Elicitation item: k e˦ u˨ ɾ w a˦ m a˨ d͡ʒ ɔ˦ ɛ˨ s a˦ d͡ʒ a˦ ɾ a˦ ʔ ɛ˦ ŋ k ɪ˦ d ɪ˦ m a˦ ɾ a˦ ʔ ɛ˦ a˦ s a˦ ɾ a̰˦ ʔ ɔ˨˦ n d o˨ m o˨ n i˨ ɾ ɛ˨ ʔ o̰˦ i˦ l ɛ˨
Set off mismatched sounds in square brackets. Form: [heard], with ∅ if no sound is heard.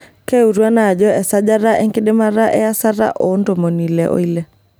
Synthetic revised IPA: k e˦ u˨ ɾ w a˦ [n] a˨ d͡ʒ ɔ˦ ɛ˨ s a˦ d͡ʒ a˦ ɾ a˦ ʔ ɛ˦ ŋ k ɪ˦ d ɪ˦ m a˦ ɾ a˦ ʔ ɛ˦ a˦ s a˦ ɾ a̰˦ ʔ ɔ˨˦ n d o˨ m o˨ n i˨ [l] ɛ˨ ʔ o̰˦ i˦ l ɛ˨

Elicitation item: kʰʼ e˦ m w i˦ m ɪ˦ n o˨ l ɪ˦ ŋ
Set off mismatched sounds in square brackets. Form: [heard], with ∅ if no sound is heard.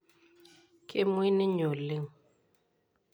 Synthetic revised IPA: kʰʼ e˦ m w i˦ [n] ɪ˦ [ɲ] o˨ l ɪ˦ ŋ

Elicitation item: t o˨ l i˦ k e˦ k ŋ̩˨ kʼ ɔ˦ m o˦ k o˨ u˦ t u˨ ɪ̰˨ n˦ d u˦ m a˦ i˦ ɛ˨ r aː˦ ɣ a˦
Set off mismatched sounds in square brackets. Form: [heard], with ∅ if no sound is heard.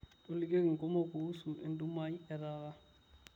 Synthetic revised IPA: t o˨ l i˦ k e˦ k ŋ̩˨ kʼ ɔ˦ m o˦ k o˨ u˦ [s] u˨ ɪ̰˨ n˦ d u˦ m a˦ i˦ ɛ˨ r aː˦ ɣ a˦

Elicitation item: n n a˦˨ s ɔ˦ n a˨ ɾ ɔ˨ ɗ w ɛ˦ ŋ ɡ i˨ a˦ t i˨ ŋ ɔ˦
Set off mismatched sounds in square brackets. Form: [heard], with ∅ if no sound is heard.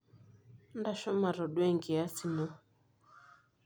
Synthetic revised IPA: n [d] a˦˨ [ʃ] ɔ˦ [m] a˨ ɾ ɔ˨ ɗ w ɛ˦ ŋ ɡ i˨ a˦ [s] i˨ [n] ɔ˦

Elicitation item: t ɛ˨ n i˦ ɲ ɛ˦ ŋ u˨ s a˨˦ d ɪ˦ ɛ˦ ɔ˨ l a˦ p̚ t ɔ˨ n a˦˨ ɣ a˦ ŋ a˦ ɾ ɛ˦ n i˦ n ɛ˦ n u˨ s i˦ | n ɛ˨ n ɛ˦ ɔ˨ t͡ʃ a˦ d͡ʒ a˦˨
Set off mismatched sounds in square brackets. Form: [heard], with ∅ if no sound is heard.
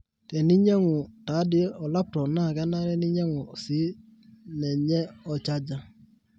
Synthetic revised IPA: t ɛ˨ n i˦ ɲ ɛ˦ ŋ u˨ [t] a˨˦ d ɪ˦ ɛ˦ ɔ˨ l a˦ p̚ t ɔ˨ n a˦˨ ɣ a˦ [n] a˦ ɾ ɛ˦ n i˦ [ɲ] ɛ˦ [ŋ] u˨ s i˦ | n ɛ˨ [ɲ] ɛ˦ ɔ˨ t͡ʃ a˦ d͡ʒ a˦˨

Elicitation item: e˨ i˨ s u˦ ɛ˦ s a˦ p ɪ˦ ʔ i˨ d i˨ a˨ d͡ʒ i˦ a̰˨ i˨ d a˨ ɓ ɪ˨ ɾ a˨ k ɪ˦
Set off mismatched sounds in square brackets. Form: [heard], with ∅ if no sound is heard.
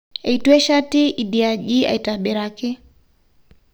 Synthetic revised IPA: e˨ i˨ [t] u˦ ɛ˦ [ʃ] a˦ [t] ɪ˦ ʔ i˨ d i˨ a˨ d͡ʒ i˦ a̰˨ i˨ [t] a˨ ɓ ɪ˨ ɾ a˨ k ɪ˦

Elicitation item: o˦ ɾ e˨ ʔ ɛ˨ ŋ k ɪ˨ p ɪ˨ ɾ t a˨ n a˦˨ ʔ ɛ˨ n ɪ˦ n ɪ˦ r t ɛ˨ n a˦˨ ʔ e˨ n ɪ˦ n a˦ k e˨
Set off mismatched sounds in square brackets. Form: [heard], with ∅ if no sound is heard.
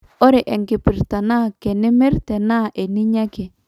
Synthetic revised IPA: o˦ ɾ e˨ ʔ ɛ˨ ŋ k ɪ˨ p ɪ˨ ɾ t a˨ n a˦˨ [k] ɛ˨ n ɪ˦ [m] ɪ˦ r t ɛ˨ n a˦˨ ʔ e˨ n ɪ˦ [ɲ] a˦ k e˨

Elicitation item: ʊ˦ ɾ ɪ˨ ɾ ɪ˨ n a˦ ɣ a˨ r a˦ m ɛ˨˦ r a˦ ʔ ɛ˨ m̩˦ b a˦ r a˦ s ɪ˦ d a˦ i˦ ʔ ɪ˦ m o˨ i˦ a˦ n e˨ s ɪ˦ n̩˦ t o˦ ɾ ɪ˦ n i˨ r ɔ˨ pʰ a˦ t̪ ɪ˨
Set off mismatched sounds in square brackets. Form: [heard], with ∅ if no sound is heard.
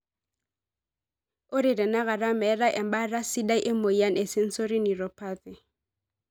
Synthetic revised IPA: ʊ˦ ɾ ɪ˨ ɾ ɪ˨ n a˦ ɣ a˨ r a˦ m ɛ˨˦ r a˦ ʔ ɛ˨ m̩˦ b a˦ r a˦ s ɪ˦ d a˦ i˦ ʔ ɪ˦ m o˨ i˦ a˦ n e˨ s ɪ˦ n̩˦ [s] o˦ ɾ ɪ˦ n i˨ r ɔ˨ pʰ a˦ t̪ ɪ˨

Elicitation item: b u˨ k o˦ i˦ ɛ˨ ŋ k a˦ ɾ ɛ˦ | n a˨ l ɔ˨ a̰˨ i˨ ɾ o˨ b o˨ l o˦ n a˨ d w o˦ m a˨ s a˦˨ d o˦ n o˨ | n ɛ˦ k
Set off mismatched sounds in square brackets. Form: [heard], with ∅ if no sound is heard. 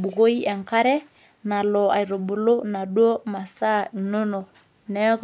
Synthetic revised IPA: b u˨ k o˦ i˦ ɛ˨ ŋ k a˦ ɾ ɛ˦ | n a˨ l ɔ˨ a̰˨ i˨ ɾ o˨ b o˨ l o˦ n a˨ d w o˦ m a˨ s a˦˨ [n] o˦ n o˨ | n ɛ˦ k

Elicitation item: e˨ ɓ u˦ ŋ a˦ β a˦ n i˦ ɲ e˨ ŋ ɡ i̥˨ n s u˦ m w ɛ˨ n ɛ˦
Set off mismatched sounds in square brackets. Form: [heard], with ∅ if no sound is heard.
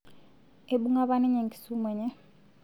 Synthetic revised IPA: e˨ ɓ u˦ ŋ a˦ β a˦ n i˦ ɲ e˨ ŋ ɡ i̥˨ [∅] s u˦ m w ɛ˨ [ɲ] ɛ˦

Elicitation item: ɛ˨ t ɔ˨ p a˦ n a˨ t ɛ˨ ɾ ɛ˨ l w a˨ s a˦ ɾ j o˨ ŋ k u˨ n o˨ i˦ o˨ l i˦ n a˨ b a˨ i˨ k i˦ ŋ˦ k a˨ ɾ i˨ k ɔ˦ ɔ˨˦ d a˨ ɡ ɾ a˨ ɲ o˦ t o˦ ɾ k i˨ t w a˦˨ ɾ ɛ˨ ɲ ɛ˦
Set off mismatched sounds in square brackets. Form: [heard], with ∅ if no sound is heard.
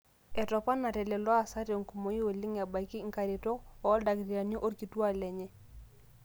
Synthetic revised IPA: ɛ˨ t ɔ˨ p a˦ n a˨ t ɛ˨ [l] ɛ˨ l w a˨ s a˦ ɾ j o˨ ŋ k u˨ [m] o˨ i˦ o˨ l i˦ [ŋ] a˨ b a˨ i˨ k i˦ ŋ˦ k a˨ ɾ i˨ [t] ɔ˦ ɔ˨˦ d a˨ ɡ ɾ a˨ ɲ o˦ [ʔ] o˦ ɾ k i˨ t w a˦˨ [l] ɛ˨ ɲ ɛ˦

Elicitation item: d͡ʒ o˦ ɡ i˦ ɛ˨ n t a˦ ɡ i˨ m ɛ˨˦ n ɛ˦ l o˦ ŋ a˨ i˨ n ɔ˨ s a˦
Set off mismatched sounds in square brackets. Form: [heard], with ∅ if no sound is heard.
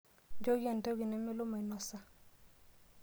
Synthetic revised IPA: d͡ʒ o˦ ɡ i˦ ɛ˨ n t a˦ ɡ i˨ [n] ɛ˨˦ [m] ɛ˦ l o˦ [m] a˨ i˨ n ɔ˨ s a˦

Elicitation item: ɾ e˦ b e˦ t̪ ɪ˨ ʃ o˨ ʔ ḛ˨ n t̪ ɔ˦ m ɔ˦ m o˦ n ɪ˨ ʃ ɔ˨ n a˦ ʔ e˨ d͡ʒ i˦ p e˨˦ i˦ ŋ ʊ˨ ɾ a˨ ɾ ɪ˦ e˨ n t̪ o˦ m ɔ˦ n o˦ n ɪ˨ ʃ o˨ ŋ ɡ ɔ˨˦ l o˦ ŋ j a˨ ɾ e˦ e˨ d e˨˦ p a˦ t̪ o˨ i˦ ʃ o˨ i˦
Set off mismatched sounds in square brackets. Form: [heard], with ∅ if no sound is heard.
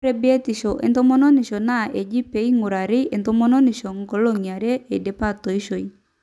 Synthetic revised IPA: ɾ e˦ b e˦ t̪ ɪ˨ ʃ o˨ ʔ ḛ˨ n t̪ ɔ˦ m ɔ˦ [n] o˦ n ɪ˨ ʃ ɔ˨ n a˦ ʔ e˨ d͡ʒ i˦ p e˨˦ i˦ ŋ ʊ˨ ɾ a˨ ɾ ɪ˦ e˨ n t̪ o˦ m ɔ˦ n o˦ n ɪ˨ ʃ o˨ ŋ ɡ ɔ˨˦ l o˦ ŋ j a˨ ɾ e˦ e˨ d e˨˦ p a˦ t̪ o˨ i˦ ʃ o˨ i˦

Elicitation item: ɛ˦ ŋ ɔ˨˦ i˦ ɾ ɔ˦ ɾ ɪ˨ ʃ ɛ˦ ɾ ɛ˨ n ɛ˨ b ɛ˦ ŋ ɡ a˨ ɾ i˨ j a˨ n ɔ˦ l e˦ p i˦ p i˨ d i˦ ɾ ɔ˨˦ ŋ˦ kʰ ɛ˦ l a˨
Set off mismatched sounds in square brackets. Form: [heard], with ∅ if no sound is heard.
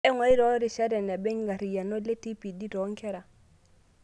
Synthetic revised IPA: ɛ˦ ŋ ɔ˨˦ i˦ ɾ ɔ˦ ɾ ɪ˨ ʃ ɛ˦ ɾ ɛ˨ n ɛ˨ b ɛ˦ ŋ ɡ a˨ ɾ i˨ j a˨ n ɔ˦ l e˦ [t] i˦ p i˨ d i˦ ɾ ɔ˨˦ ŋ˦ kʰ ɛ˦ [ɾ] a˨

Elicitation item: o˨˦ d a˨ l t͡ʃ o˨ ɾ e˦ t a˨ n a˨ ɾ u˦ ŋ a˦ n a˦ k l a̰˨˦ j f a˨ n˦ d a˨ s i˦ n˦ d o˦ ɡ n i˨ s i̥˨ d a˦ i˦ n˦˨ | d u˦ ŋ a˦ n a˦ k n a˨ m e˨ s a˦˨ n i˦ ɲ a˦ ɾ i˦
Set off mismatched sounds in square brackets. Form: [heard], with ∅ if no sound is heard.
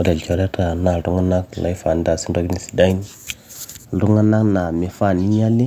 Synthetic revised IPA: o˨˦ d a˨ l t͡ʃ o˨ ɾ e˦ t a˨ n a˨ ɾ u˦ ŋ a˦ n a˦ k l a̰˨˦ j f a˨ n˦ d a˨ s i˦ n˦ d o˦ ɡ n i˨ s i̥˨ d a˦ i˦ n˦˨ | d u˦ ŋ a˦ n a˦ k n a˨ m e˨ [f] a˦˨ n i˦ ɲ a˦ [l] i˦

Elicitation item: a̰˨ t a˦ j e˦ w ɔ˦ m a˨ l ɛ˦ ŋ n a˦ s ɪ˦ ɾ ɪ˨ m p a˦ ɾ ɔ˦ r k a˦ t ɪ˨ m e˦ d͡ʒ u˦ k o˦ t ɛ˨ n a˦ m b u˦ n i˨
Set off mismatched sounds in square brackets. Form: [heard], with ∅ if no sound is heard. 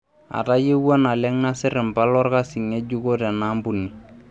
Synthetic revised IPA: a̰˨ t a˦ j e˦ w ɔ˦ [n] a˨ l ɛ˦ ŋ n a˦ s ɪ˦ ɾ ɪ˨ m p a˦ [l] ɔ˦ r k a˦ [s] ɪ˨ [ŋ] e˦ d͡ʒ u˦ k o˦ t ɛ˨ n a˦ m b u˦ n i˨

